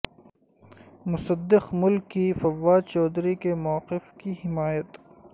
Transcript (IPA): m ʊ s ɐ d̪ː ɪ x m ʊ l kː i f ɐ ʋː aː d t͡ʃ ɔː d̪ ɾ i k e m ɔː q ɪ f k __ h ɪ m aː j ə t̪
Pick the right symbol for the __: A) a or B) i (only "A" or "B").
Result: B